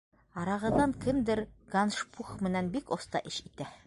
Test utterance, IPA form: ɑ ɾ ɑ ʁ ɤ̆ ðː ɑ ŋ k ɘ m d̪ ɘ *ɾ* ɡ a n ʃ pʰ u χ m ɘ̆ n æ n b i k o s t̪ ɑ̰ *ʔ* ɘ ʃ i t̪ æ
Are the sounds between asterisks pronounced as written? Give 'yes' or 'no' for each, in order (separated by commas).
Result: yes, yes